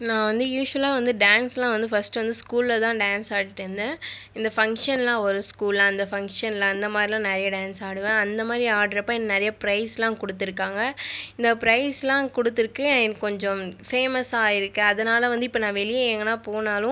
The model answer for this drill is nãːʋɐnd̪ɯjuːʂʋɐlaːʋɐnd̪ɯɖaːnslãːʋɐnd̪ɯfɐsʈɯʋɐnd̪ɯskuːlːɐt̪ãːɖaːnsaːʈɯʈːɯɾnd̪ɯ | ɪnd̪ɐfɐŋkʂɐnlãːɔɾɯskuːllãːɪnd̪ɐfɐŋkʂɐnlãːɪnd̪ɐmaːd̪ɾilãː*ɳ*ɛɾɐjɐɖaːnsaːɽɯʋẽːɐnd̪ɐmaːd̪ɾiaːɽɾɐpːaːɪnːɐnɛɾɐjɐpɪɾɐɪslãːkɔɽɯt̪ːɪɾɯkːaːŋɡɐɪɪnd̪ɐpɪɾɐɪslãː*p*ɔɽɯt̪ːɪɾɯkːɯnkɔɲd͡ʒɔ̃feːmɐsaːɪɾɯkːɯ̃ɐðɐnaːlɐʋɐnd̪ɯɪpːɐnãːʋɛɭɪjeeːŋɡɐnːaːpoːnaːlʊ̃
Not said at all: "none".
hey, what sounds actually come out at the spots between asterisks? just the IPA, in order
n, k

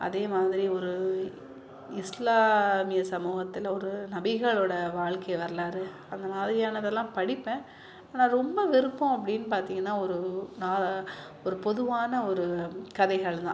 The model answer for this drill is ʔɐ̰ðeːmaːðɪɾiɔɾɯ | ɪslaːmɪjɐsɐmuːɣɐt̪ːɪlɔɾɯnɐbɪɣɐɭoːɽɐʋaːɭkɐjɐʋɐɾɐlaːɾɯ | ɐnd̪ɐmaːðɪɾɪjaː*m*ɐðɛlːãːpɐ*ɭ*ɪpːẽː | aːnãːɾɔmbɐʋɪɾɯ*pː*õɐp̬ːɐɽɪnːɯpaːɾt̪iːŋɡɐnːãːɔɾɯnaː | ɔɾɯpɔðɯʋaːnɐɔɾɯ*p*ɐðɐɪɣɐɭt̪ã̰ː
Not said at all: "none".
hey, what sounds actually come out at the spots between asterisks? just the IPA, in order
n, ɽ, pː, k

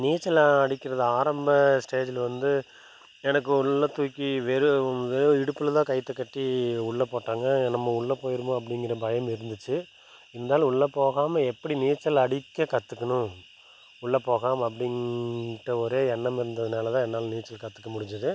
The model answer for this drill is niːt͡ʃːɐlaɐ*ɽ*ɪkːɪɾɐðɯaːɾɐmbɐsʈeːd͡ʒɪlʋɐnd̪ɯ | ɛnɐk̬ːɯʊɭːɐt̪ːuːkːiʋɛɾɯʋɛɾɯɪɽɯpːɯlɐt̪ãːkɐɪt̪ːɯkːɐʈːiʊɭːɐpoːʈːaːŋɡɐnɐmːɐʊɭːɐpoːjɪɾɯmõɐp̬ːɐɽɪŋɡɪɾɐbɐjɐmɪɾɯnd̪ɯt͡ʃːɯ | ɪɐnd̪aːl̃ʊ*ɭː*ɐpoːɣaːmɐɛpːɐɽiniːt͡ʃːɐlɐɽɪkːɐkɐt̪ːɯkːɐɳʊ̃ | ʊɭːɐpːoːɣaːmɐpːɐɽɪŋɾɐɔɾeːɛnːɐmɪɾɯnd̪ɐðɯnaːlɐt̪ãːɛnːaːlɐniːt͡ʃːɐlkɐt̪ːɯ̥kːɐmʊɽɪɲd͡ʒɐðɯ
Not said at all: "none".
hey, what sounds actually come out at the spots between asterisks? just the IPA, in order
ɽ, ɭː

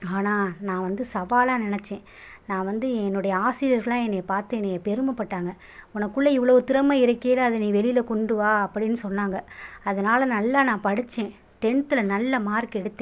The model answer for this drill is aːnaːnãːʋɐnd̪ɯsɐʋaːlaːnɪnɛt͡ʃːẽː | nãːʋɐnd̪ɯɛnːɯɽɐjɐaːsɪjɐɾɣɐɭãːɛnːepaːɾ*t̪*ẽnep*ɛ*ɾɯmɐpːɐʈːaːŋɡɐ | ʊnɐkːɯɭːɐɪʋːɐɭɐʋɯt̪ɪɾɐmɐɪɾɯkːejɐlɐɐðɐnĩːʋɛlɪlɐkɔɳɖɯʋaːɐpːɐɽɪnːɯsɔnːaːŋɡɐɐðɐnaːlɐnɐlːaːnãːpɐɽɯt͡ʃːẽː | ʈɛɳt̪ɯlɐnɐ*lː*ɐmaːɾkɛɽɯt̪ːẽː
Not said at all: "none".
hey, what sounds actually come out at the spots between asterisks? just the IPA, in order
t̪, ɛ, lː

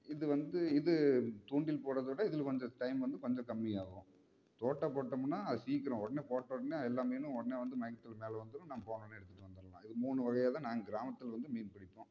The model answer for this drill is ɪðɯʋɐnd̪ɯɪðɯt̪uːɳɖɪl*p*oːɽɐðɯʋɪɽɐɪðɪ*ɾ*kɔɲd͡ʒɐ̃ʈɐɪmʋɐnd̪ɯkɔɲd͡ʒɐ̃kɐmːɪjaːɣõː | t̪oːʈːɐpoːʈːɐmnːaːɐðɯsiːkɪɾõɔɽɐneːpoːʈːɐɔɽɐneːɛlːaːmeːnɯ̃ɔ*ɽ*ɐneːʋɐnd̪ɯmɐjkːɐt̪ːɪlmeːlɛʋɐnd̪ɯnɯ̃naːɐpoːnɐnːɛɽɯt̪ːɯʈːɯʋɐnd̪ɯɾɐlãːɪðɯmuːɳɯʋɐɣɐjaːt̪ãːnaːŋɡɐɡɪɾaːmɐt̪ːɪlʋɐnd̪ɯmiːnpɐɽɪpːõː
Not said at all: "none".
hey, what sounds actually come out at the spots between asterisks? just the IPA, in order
p, l, ɽ

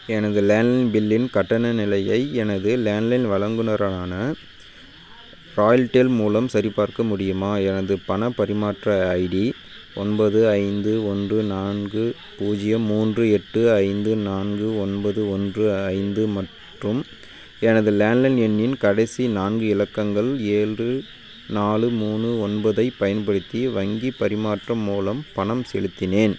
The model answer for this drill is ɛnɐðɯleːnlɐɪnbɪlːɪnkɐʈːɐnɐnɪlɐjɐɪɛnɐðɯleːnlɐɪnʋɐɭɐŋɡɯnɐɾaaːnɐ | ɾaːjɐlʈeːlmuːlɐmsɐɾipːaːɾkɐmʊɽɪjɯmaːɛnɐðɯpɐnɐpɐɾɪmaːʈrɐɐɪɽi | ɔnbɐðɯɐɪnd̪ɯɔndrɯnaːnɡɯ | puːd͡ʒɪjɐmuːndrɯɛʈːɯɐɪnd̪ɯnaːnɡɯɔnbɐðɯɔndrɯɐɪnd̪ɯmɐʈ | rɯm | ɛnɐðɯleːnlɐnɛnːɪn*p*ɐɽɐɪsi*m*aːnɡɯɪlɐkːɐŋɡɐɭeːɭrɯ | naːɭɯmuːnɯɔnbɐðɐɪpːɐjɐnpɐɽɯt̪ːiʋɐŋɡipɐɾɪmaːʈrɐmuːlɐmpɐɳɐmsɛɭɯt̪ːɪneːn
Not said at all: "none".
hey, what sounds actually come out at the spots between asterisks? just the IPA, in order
k, n

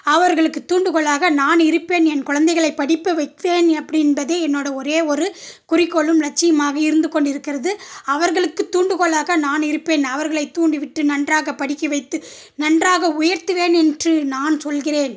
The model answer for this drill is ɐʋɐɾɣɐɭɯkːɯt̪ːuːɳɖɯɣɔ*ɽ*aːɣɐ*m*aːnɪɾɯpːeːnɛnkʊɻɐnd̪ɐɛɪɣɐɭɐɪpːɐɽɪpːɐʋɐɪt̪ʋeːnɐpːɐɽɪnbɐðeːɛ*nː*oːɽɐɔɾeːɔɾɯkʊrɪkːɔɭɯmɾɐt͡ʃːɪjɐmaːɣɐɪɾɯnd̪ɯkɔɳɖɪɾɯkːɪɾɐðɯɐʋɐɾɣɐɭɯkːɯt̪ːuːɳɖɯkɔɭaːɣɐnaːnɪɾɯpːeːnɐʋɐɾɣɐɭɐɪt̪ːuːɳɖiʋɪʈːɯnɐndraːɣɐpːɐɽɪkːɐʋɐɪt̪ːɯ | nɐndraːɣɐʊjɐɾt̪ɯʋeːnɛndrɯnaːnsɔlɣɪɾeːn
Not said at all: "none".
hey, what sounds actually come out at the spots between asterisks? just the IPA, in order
ɭ, n, nː

